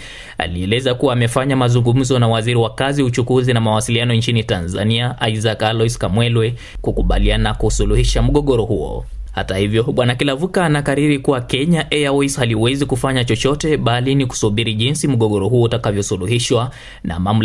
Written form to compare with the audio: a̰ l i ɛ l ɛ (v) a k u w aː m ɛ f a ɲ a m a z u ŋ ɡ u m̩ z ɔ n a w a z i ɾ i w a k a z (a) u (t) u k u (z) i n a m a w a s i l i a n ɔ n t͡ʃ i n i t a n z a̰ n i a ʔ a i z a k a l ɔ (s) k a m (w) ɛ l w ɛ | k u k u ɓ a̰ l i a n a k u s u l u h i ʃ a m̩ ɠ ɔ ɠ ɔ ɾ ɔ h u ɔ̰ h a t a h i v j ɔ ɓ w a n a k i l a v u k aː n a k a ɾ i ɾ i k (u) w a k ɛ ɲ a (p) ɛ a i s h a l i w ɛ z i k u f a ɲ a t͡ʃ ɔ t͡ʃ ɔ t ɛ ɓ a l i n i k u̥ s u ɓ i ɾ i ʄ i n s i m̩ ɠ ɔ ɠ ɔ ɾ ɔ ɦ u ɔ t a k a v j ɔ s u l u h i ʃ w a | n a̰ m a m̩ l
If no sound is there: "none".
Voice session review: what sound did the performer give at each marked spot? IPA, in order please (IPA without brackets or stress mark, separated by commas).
z, i, t͡ʃ, z, s, w, u, ʔ